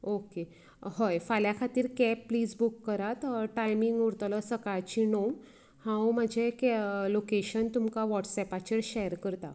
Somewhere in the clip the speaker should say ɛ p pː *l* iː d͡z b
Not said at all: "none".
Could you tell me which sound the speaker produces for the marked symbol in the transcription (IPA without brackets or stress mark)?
l